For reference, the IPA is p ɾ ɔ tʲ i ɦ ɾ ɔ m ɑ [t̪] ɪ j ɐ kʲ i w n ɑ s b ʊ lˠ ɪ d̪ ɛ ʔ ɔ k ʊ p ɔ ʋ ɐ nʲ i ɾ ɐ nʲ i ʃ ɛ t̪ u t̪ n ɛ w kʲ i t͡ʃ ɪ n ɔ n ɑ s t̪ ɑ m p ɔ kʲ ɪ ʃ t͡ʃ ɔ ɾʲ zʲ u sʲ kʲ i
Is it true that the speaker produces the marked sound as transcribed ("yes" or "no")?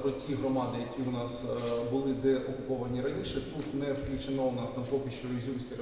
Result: no